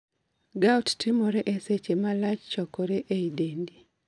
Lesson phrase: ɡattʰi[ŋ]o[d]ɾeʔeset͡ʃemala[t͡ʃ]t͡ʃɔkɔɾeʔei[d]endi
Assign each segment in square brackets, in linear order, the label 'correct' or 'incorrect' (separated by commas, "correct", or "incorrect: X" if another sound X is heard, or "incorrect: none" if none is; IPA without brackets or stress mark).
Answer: incorrect: m, incorrect: none, correct, correct